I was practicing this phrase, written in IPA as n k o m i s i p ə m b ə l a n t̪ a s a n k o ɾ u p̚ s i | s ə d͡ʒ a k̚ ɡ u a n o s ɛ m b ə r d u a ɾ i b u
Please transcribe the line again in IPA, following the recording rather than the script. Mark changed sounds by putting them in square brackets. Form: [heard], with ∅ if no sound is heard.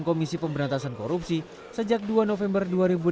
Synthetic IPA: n k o m i s i p ə m b ə [ɾ] a n t̪ a s a n k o ɾ u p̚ s i | s ə d͡ʒ a k̚ [d] u a n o [f] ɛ m b ə r d u a ɾ i b u